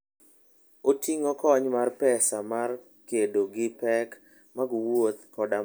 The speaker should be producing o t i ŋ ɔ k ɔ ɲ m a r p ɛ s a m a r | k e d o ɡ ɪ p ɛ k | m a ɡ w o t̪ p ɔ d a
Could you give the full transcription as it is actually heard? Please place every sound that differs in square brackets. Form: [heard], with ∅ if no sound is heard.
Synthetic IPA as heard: o t i ŋ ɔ k ɔ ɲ m a r p ɛ s a m a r | k e d o ɡ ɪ p ɛ k | m a ɡ w o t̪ [k] ɔ d a